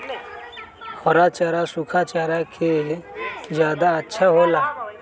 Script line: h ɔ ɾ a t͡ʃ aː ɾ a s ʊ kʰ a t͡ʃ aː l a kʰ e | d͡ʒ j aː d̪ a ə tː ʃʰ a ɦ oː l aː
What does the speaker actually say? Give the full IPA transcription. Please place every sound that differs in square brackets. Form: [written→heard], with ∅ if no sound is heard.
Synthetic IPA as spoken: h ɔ ɾ a t͡ʃ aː ɾ a s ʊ kʰ a t͡ʃ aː [l→ɾ] a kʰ e | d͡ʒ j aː d̪ a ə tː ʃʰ a ɦ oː l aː